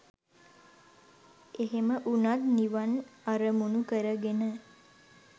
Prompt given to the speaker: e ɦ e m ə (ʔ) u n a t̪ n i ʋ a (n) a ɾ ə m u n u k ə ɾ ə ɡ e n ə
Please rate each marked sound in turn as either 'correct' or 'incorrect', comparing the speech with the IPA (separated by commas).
correct, correct